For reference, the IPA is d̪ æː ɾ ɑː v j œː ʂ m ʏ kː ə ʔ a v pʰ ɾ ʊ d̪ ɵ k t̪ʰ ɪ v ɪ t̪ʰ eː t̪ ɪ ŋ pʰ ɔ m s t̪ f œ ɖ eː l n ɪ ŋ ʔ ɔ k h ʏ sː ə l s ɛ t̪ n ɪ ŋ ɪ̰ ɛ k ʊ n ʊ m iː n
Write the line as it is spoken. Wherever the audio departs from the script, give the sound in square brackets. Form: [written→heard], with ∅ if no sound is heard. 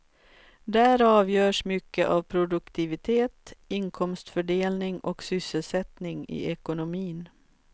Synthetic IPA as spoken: d̪ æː ɾ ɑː v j œː ʂ m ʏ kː ə ʔ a v pʰ ɾ ʊ d̪ ɵ k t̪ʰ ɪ v ɪ t̪ʰ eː t̪ ɪ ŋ [pʰ→kʰ] ɔ m s t̪ f œ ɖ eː l n ɪ ŋ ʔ ɔ k [h→s] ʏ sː ə l s ɛ t̪ n ɪ ŋ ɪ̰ ɛ k ʊ n ʊ m iː n